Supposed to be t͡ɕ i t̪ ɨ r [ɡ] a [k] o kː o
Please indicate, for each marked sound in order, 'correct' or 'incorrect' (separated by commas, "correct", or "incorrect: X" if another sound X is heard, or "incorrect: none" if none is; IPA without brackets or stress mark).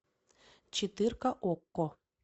incorrect: k, incorrect: ʔ